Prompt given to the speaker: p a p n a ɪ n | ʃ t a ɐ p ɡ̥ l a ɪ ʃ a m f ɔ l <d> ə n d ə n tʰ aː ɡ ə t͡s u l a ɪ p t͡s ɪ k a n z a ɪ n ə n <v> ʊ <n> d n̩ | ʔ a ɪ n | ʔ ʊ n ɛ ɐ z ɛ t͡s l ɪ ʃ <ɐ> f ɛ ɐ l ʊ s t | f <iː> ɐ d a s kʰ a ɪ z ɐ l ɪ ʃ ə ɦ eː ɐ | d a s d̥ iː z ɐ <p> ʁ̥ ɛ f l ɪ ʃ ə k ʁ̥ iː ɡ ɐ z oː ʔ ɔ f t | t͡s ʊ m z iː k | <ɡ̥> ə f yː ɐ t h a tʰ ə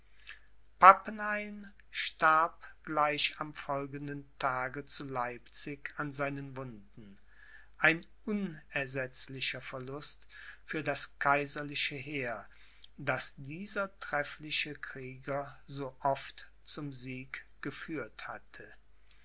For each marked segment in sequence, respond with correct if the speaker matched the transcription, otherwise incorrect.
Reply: incorrect: ɡ, correct, correct, correct, incorrect: yː, incorrect: t, correct

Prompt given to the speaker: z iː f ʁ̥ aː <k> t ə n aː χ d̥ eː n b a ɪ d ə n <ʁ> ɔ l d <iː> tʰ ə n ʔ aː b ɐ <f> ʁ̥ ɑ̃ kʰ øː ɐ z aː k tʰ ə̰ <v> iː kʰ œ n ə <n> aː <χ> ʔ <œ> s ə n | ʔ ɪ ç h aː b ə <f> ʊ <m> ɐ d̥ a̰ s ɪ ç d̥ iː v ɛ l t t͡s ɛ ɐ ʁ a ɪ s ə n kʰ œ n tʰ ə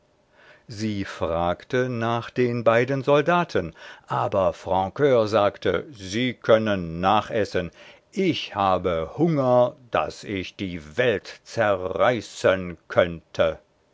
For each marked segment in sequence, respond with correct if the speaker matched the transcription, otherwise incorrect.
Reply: correct, incorrect: z, incorrect: aː, correct, incorrect: z, incorrect: nː, correct, incorrect: ɛ, incorrect: h, incorrect: ŋ

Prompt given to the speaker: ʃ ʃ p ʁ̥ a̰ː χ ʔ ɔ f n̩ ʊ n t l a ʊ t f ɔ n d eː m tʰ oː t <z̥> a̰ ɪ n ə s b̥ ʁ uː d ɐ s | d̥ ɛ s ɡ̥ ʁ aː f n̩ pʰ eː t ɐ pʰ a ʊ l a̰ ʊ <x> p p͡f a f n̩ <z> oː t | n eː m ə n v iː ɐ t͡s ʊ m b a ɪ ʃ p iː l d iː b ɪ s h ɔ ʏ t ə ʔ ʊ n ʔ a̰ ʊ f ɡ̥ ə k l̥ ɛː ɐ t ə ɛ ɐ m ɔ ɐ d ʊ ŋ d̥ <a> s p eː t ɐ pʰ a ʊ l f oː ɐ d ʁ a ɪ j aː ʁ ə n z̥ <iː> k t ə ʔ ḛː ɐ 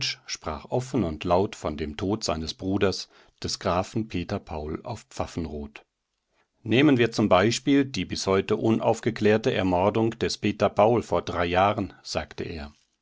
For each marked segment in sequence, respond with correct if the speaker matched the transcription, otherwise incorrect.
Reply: correct, incorrect: f, incorrect: ʁ, incorrect: ɛ, incorrect: aː

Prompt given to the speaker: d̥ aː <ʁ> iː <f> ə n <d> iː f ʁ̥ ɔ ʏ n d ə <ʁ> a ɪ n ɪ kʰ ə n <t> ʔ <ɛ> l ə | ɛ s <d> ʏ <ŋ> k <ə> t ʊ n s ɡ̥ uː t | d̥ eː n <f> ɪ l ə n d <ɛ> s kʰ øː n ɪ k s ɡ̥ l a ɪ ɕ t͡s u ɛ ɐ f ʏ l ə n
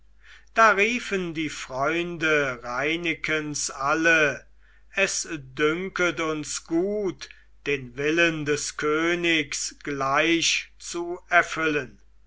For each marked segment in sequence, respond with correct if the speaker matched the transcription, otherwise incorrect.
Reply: correct, correct, correct, correct, incorrect: s, incorrect: a, correct, correct, correct, incorrect: v, correct

